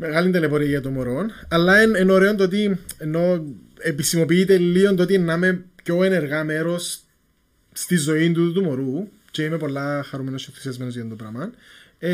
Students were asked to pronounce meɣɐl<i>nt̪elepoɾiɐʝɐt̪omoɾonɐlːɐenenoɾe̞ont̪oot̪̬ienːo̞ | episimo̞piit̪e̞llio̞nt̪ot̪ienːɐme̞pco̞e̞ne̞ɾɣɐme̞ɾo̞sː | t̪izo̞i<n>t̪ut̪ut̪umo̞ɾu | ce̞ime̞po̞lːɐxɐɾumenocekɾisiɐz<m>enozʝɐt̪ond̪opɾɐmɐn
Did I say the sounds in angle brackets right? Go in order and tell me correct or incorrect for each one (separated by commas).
correct, correct, correct